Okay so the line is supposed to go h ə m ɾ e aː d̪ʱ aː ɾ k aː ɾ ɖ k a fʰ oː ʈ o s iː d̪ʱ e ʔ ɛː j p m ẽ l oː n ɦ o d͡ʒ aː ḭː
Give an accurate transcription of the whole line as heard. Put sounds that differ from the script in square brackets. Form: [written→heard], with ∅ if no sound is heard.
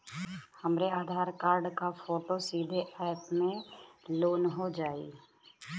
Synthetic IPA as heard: h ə m ɾ e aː d̪ʱ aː ɾ k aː ɾ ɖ k a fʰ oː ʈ o s iː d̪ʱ e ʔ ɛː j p m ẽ l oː n ɦ o d͡ʒ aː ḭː